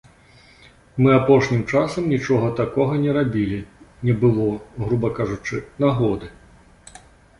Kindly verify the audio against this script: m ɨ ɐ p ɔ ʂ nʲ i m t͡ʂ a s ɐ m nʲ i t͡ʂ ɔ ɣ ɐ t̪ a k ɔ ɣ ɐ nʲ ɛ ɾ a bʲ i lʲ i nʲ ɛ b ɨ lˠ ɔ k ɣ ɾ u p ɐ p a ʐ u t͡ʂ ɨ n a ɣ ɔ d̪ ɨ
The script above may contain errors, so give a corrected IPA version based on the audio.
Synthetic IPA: m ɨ a p ɔ ʂ nʲ i m t͡ʂ a s ɐ m nʲ i t͡ʂ ɔ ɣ ɐ t̪ a k ɔ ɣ ɐ nʲ ɛ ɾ a bʲ i lʲ i nʲ ɛ b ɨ lˠ ɔ ɣ ɾ u b ɐ k a ʐ u t͡ʂ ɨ n a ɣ ɔ d̪ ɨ